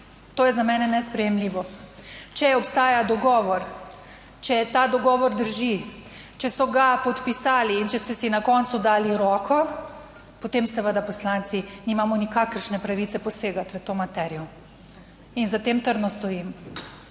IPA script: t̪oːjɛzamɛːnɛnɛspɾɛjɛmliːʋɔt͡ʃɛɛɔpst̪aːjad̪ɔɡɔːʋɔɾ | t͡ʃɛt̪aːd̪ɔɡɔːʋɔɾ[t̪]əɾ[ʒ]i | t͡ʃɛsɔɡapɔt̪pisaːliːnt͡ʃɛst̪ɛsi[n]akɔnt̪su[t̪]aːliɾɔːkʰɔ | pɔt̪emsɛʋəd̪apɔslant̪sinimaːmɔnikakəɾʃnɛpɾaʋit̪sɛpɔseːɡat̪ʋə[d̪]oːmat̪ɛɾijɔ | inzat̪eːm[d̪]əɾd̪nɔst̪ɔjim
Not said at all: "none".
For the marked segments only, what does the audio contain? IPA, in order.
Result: d̪, ʒ, n, d̪, t̪, t̪

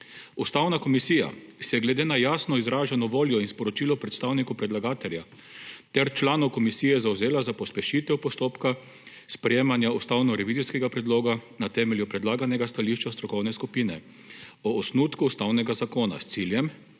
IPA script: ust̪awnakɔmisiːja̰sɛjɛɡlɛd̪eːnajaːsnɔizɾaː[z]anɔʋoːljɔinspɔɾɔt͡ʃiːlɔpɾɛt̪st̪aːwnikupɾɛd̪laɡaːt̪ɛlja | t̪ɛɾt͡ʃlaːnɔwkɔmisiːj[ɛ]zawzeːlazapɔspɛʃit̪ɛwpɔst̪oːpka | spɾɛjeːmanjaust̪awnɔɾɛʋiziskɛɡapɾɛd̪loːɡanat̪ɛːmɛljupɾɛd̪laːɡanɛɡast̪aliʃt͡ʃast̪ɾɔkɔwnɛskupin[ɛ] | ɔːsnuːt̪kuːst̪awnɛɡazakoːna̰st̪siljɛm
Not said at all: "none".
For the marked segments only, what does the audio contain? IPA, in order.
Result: ʒ, ɛ, ɛ

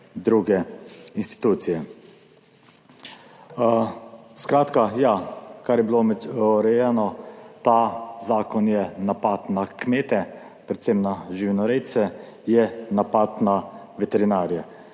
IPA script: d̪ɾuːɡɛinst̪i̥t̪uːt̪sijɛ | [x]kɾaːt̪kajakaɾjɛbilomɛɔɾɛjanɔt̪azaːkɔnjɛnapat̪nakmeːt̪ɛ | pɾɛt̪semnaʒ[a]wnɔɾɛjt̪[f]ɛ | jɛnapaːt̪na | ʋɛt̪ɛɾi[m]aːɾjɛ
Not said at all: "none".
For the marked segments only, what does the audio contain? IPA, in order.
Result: s, i, s, n

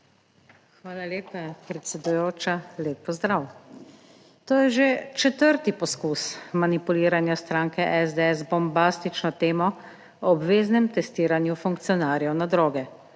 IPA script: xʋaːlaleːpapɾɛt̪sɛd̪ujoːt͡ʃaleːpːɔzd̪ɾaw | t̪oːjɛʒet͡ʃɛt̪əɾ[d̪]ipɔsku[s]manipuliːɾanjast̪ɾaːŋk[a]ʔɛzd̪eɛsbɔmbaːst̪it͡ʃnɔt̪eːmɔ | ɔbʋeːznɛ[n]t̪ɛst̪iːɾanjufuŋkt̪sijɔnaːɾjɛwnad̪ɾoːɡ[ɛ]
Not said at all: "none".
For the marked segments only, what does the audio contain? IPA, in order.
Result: t̪, s, ɛ, m, ɛ

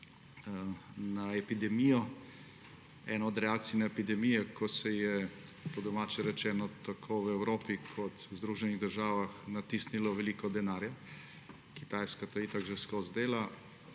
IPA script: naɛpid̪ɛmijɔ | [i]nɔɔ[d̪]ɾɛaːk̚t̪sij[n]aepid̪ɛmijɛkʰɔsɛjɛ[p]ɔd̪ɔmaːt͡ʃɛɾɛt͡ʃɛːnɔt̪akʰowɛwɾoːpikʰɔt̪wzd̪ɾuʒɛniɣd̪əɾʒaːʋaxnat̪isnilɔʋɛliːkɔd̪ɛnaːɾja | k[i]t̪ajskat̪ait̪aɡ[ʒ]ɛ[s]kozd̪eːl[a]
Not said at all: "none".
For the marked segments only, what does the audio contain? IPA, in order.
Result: ɛ, d̪, n, p, i, ʒ, s, a

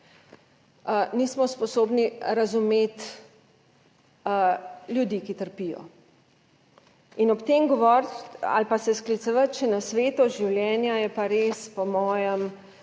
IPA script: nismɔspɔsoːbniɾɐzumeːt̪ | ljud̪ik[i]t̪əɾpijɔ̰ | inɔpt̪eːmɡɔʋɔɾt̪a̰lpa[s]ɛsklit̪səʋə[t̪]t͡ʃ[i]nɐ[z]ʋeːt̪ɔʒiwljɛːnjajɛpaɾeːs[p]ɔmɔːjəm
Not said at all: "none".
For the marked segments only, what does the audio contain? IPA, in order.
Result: i, s, t̪, ɛ, s, p

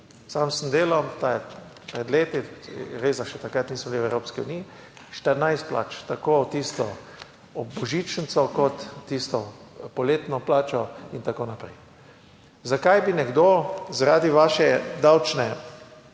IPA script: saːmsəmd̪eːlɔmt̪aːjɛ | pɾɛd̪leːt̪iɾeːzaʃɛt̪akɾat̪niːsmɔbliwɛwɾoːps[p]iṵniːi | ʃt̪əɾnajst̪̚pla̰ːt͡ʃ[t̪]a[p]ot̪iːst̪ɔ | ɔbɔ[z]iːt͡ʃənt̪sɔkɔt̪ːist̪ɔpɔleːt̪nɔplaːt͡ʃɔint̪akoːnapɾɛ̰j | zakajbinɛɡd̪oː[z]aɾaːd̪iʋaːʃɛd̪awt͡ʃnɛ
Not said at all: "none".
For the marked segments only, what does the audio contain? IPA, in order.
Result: k, t̪, k, ʒ, z

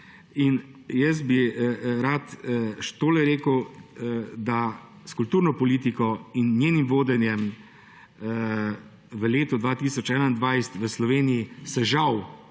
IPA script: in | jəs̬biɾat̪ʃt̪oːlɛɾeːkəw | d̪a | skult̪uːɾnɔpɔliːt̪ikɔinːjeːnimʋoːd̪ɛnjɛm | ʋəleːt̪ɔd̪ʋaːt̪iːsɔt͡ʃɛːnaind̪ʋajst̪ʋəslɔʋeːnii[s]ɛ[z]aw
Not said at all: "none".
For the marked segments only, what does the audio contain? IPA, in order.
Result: s, ʒ

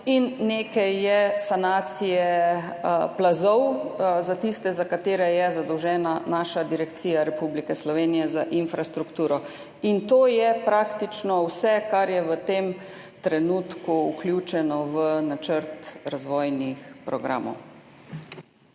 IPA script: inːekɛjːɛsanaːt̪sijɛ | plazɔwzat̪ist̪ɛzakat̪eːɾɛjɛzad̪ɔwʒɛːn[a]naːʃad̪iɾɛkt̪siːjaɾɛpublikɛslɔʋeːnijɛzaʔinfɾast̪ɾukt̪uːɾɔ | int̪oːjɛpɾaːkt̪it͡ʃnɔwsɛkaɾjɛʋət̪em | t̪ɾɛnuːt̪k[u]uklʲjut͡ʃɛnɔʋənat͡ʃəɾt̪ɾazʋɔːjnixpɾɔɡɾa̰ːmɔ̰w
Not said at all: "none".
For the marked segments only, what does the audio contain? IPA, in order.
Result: a, u

